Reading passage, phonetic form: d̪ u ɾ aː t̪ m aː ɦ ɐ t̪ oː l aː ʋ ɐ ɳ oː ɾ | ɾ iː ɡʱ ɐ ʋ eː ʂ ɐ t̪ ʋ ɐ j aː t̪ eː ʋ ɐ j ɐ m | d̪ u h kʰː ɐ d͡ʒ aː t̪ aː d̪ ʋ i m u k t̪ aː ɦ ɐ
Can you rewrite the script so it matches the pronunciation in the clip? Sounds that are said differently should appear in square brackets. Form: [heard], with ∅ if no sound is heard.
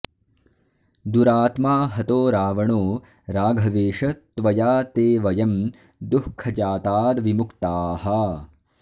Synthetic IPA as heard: d̪ u ɾ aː t̪ m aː ɦ ɐ t̪ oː [ɾ] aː ʋ ɐ ɳ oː [∅] | ɾ [aː] ɡʱ ɐ ʋ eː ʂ ɐ t̪ ʋ ɐ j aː t̪ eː ʋ ɐ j ɐ m | d̪ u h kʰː ɐ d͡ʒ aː t̪ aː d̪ ʋ i m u k t̪ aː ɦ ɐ